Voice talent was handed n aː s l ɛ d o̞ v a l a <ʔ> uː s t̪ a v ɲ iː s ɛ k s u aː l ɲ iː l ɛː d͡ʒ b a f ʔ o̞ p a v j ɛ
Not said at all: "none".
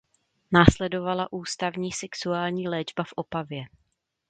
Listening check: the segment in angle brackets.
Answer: ʔ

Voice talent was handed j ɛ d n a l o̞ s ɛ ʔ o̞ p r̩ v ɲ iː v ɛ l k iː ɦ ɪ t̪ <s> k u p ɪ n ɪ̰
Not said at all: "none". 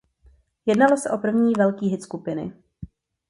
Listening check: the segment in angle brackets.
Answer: s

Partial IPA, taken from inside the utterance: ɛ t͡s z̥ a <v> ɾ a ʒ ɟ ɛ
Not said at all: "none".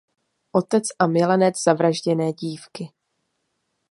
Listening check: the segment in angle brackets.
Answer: v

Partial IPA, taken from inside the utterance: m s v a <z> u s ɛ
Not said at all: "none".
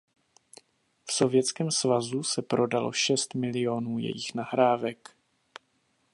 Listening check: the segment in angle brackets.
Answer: z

